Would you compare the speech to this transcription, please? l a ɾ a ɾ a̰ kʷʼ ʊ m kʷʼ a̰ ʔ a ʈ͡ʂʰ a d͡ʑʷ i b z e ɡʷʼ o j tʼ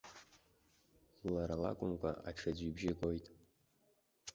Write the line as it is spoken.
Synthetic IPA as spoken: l a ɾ a l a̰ kʷʼ ʊ m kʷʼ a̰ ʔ a ʈ͡ʂʰ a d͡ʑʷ i b ʒ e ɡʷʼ o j tʼ